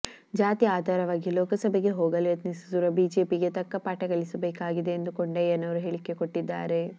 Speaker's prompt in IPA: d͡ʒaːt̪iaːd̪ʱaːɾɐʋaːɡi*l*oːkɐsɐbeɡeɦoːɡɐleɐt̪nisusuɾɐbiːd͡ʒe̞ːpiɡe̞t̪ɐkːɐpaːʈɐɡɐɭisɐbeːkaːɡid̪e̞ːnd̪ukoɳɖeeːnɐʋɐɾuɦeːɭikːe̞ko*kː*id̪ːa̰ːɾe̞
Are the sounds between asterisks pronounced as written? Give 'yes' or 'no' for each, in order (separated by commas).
yes, no